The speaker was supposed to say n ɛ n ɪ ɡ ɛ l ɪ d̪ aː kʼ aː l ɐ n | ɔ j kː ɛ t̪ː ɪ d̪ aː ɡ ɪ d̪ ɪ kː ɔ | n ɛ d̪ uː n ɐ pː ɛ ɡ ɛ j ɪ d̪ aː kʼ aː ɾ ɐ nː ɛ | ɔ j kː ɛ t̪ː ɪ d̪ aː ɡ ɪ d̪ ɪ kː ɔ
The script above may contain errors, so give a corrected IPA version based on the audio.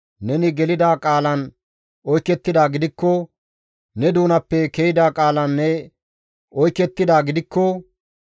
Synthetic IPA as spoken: n ɛ n ɪ ɡ ɛ l ɪ d̪ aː kʼ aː l ɐ n | ɔ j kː ɛ t̪ː ɪ d̪ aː ɡ ɪ d̪ ɪ kː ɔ | n ɛ d̪ uː n ɐ pː ɛ k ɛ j ɪ d̪ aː kʼ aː l ɐ nː ɛ | ɔ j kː ɛ t̪ː ɪ d̪ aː ɡ ɪ d̪ ɪ kː ɔ